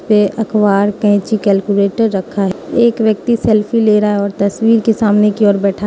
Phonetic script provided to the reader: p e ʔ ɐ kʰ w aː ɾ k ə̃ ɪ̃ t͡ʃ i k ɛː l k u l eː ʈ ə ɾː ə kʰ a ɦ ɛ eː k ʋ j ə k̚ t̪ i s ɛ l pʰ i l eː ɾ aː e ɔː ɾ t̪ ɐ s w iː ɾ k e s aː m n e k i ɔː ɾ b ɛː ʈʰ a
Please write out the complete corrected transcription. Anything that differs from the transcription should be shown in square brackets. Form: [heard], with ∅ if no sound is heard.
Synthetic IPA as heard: p e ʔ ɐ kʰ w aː ɾ k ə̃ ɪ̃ t͡ʃ i k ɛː l k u l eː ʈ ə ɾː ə kʰ a ɦ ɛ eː k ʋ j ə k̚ t̪ i s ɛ l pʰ i l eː ɾ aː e ɔː ɾ t̪ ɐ s w iː ɾ k e s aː m n e k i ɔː ɾ b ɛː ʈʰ a